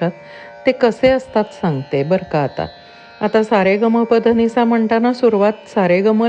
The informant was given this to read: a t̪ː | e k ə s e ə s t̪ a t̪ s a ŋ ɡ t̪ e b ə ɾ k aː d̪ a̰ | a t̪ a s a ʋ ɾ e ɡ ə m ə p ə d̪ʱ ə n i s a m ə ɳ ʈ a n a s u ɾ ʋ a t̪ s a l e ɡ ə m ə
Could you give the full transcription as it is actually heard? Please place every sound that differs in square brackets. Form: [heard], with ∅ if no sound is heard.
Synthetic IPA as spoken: a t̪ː | e k ə s e ə s t̪ a t̪ s a ŋ ɡ t̪ e b ə ɾ k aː [t̪] a̰ | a t̪ a s a [∅] ɾ e ɡ ə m ə p ə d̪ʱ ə n i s a m ə ɳ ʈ a n a s u ɾ ʋ a t̪ s a [ɾ] e ɡ ə m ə